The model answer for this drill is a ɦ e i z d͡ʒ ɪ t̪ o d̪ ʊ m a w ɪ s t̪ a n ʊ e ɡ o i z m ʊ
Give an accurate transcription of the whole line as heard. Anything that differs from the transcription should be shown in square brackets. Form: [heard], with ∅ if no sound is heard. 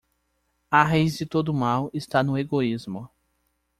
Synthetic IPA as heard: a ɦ e [j] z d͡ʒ ɪ t̪ o d̪ ʊ m a w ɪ s t̪ a n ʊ e ɡ o i z m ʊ

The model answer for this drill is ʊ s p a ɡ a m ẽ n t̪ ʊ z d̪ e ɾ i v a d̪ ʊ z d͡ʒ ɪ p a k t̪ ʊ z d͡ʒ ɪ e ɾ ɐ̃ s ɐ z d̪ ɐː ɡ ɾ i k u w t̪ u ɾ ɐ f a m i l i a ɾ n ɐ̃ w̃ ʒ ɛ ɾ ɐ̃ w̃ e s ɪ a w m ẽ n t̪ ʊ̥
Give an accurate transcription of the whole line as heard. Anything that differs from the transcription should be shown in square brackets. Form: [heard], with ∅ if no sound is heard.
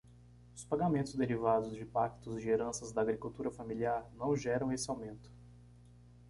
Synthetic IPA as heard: ʊ s p a ɡ a m ẽ n t̪ ʊ z d̪ e ɾ i v a d̪ ʊ z d͡ʒ ɪ p a k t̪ ʊ z d͡ʒ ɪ e ɾ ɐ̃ s ɐ z d̪ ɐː ɡ ɾ i k u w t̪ u ɾ ɐ f a m i l i a ɾ n ɐ̃ w̃ ʒ ɛ ɾ ɐ̃ w̃ e s ɪ a w m ẽ n t̪ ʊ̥

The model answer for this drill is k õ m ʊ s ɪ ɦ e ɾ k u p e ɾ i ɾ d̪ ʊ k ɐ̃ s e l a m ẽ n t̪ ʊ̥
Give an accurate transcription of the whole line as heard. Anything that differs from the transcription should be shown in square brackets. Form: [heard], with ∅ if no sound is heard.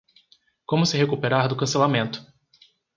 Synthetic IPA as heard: k õ m ʊ s ɪ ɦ e [∅] k u p e ɾ [a] ɾ d̪ ʊ k ɐ̃ s e l a m ẽ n t̪ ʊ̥

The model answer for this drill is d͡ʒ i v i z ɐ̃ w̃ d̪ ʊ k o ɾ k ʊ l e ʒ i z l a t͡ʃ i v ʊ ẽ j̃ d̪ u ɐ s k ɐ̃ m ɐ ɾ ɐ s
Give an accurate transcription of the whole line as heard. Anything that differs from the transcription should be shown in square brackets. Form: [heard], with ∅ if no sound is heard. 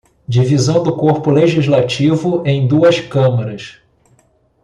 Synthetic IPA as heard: d͡ʒ i v i z ɐ̃ w̃ d̪ ʊ k o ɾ [p] ʊ l e ʒ i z l a t͡ʃ i v ʊ ẽ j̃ d̪ u ɐ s k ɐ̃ m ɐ ɾ ɐ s

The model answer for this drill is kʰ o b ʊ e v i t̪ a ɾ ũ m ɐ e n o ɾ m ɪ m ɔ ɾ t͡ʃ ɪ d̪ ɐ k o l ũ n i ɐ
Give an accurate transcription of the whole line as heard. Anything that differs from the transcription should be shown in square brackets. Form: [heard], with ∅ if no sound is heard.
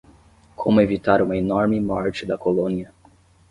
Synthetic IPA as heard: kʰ o [m] ʊ e v i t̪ a ɾ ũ m ɐ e n [ɔ] ɾ m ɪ m ɔ ɾ t͡ʃ ɪ d̪ ɐ k o l [õ] n i ɐ

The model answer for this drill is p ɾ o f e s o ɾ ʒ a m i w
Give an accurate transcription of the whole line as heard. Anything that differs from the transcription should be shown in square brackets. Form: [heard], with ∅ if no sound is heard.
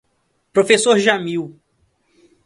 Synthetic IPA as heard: p ɾ o f e s o ɾ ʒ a m i w

